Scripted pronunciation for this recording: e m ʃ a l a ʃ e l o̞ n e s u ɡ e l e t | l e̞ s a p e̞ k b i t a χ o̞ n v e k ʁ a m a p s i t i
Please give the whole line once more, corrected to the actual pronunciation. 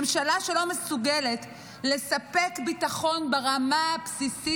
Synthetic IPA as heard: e m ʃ a l a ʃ e l o̞ m e s u ɡ e l e t | l e̞ s a p e̞ k b i t a χ o̞ n b e ʁ a m a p s i s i

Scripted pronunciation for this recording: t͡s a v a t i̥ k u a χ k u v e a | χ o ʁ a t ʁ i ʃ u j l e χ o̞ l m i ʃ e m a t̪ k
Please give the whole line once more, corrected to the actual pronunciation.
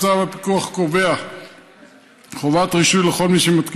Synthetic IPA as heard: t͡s a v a p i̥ k u a χ k o v e a | χ o v a t ʁ i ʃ u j l e χ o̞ l m i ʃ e m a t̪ k

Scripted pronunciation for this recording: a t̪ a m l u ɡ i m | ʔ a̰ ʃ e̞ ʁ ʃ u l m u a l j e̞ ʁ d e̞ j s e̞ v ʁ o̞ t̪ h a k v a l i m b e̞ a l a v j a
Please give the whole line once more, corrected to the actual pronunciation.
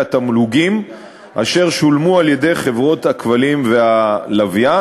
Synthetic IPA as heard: a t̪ a m l u ɡ i m | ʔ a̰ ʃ e̞ ʁ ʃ u l m u a l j e̞ d e̞ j χ e̞ v ʁ o̞ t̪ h a k v a l i m v e̞ a l a v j a

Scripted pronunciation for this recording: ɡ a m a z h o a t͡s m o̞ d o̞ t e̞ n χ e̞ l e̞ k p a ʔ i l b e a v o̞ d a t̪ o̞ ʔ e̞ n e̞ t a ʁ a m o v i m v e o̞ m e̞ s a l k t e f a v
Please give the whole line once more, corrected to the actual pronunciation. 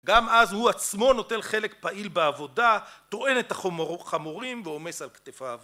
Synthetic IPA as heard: ɡ a m a z h u a t͡s m o̞ n o̞ t e̞ n χ e̞ l e̞ k p a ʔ i l b e a v o̞ d a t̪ o̞ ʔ e̞ n e̞ t a χ a m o ʁ i m v e o̞ m e̞ s a l k t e f a v

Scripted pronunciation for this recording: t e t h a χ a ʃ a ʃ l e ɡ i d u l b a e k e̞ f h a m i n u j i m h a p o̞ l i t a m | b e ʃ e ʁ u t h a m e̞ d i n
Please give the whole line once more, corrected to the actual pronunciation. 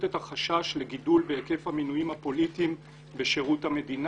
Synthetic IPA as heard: t e t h a χ a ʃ a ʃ l e ɡ i d u l b e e k e̞ f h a m i n u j i m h a p o̞ l i t i m | b e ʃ e ʁ u t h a m e̞ d i n

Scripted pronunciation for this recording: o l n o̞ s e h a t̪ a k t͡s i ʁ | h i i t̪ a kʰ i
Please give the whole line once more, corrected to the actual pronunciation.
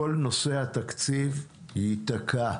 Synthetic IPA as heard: o l n o̞ s e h a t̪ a k t͡s i v | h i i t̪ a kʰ a

